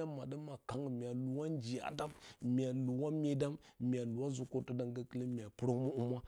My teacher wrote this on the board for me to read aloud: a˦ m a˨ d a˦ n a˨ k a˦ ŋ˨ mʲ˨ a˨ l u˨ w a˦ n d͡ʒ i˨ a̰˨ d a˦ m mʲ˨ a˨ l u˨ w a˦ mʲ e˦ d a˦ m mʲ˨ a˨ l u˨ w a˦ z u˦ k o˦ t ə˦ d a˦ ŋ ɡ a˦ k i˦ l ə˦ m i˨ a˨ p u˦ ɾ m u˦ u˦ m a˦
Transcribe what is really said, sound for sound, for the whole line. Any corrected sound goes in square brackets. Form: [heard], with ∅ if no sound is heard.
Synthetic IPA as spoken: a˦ m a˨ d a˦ [m] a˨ k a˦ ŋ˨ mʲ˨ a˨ l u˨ w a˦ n d͡ʒ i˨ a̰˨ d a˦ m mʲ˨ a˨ l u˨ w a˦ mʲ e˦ d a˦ m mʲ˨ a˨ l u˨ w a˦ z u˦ k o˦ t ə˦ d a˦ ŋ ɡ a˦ k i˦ l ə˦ m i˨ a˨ p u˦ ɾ m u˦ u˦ m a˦